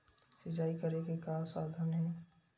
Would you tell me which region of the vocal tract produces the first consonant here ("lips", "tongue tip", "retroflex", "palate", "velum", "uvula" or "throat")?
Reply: tongue tip